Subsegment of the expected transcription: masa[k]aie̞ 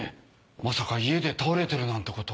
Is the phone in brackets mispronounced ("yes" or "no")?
no